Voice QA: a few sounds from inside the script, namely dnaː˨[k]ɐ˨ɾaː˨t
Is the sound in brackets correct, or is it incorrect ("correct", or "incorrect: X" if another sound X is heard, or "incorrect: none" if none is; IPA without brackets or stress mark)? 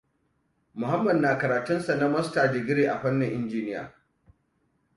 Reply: correct